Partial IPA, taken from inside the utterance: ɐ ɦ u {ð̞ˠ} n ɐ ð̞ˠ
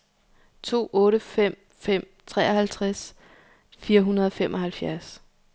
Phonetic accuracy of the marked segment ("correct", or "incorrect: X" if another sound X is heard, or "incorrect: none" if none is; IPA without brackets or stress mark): incorrect: none